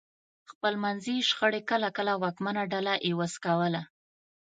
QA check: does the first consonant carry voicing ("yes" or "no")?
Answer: no